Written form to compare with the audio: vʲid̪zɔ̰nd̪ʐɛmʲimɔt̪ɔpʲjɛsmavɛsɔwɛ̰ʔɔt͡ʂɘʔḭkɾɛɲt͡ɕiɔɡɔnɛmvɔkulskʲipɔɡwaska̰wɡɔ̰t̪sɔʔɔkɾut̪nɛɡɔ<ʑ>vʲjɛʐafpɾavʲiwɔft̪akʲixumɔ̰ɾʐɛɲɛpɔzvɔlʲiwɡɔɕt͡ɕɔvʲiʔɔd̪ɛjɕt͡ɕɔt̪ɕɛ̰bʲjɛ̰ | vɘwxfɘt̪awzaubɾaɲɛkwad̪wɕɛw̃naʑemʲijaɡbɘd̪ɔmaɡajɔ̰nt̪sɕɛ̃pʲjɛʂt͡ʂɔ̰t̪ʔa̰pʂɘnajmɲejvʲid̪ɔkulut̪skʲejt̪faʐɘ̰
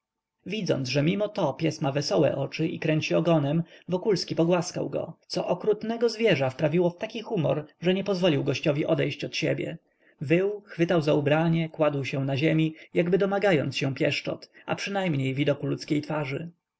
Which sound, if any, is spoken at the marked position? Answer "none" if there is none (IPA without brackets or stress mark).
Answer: z